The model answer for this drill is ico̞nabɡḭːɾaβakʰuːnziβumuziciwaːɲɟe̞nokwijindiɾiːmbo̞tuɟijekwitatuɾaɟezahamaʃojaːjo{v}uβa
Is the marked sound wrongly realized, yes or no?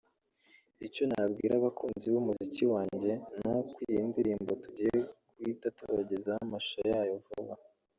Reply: no